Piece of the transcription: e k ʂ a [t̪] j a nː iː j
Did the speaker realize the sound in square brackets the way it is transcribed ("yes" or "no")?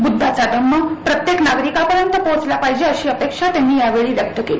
yes